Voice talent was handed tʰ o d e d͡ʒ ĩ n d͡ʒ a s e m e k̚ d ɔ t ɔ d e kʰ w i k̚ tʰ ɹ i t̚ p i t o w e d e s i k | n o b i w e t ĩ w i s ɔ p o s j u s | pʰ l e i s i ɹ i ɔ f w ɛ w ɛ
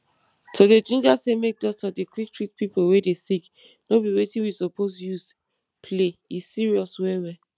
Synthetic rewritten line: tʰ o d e d͡ʒ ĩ n d͡ʒ a s e m e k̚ d ɔ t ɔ d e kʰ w i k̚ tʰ ɹ i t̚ p i p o w e d e s i k | n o b i w e t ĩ w i s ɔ p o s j u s | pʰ l e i s i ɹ i ɔ s w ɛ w ɛ